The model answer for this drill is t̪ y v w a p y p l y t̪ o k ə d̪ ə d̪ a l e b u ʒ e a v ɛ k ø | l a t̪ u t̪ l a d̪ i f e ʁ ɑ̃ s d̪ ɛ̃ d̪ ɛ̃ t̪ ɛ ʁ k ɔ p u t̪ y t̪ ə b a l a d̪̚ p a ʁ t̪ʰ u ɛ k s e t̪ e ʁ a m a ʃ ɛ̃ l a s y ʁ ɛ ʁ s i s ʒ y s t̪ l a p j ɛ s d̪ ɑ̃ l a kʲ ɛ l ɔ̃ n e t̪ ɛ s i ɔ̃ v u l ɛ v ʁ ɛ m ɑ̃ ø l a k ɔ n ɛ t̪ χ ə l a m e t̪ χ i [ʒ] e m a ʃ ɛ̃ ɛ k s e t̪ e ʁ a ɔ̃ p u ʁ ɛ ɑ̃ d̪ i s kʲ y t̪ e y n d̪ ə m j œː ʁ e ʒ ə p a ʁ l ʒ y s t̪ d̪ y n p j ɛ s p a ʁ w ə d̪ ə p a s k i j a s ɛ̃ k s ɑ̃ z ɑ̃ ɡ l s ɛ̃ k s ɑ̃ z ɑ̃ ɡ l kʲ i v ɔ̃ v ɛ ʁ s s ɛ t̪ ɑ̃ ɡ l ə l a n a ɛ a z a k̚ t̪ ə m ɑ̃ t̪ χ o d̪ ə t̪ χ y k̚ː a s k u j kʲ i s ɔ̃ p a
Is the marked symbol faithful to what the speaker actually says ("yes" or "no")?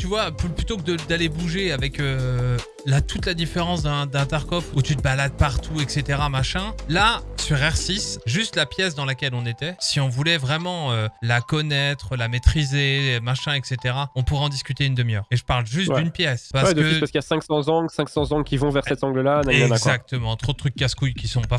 no